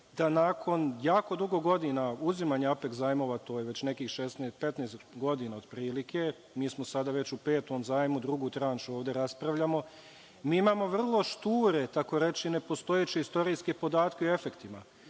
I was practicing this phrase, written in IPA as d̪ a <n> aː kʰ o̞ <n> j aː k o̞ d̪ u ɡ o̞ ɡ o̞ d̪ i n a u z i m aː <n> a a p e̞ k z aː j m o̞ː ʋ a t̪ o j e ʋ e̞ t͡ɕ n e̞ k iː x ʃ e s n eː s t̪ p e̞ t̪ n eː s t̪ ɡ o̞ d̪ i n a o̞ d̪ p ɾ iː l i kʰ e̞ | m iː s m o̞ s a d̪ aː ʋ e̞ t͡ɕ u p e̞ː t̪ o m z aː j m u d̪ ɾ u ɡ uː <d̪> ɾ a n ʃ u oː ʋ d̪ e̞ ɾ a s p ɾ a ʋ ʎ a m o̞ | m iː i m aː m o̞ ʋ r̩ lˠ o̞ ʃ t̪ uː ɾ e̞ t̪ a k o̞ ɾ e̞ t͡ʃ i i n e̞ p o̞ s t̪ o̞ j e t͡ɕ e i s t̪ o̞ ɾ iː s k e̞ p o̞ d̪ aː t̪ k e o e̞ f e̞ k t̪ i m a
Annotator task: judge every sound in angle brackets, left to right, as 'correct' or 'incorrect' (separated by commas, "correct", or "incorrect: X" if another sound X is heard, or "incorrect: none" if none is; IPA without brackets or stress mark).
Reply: correct, correct, incorrect: ɲ, incorrect: t̪